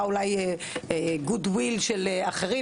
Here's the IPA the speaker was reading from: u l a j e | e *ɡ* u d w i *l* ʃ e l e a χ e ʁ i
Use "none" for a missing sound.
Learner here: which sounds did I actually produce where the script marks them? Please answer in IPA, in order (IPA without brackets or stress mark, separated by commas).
ɡ, l